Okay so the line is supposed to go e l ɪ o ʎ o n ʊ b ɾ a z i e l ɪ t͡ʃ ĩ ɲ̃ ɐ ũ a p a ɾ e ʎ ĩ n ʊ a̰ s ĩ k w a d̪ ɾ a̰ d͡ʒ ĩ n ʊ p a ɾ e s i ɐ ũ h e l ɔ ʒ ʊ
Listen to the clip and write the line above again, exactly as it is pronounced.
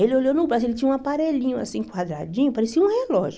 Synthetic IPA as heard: e l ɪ o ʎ o n ʊ b ɾ a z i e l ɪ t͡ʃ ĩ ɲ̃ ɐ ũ a p a ɾ e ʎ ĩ ɲ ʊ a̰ s ĩ k w a d̪ ɾ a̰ d͡ʒ ĩ ɲ ʊ p a ɾ e s i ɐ ũ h e l ɔ ʒ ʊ